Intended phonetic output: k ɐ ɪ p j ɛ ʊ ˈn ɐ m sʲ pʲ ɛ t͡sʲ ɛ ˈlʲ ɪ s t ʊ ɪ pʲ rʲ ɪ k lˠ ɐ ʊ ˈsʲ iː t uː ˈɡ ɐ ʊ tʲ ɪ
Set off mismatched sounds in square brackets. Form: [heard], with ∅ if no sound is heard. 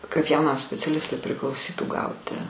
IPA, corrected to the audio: k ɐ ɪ p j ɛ ʊ ˈn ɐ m sʲ pʲ ɛ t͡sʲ ɛ ˈlʲ ɪ s t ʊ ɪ pʲ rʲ ɪ k lˠ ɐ ʊ ˈsʲ iː t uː ˈɡ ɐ ʊ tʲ ɪ